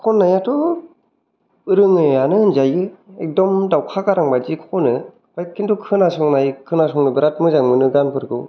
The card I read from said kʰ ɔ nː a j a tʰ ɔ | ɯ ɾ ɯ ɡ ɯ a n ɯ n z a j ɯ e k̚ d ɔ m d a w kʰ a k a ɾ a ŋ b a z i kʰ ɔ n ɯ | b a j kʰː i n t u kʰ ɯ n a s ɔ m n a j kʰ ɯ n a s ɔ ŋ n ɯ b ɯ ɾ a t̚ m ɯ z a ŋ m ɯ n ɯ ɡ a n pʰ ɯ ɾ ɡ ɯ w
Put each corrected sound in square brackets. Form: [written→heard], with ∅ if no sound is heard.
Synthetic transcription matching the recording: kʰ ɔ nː a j a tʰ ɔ | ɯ ɾ ɯ [ɡ→ŋ] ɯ a n ɯ n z a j ɯ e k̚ d ɔ m d a w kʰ a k a ɾ a ŋ b a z i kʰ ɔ n ɯ | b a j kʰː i n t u kʰ ɯ n a s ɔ [m→ŋ] n a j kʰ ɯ n a s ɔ ŋ n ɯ b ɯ ɾ a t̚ m ɯ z a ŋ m ɯ n ɯ ɡ a n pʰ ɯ ɾ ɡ ɯ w